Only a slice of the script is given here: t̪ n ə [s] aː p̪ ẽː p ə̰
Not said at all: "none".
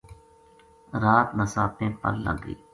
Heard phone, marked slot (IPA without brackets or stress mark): s